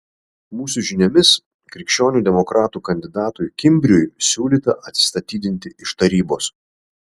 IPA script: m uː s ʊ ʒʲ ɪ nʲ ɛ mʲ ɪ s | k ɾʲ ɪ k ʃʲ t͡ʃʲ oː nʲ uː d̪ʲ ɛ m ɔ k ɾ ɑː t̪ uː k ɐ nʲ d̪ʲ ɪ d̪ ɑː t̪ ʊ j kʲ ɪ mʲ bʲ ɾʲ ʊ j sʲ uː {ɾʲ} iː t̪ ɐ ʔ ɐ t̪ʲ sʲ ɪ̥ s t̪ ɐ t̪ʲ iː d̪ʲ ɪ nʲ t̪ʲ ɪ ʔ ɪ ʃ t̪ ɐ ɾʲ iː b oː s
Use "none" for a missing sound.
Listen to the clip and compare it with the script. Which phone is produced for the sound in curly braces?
lʲ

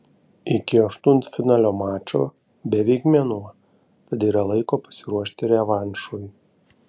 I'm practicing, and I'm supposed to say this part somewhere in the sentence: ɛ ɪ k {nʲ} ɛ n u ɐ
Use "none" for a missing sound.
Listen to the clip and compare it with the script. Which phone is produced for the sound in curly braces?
mʲ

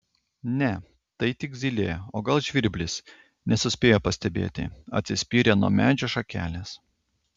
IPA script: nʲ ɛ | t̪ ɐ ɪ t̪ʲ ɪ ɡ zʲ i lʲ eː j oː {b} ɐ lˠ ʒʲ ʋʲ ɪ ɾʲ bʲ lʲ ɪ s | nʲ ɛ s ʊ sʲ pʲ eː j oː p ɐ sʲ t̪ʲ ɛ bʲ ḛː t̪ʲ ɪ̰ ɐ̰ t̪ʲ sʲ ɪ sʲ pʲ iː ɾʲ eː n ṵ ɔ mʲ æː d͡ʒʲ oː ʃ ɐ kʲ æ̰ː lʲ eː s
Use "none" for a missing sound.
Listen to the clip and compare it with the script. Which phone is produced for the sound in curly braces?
ɡ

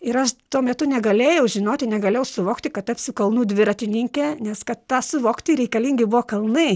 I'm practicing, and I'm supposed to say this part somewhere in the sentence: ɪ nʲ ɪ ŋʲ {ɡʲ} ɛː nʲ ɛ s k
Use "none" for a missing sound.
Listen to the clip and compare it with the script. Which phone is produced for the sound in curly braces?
kʲ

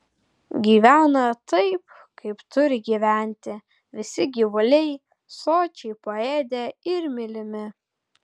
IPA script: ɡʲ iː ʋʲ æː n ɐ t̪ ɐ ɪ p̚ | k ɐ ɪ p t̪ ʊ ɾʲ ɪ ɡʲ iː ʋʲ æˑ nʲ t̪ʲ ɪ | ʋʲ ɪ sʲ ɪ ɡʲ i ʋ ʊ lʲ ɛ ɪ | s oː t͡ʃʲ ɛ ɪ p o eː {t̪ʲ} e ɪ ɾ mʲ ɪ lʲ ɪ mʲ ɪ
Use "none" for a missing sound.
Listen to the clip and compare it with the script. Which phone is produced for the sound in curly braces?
d̪ʲ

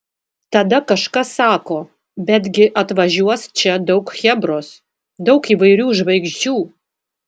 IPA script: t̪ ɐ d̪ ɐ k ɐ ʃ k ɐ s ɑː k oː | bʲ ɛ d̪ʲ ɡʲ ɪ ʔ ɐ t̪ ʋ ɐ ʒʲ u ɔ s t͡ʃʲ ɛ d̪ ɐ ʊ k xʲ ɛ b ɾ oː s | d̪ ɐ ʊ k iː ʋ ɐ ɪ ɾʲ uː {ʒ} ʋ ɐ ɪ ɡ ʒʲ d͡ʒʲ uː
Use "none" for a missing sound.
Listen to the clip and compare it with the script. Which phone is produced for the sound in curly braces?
ʒ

